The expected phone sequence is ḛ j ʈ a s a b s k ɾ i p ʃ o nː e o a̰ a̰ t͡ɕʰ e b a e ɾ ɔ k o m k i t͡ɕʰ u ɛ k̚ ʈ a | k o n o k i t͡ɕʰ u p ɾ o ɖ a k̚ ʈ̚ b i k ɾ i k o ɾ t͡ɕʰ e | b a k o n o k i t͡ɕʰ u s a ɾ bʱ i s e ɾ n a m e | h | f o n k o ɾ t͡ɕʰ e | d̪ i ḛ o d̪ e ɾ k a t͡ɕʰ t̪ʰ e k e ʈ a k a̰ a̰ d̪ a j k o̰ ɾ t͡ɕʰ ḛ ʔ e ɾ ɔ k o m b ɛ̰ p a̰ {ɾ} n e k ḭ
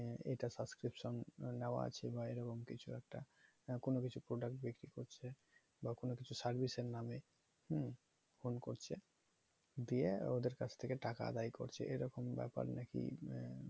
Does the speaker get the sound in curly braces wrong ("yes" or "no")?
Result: no